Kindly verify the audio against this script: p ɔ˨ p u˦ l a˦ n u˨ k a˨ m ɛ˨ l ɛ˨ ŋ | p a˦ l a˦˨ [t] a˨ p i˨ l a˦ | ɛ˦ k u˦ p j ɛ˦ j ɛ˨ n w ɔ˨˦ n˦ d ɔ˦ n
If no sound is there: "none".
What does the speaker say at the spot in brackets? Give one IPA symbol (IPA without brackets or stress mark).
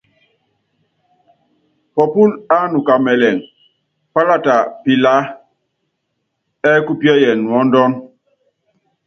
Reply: t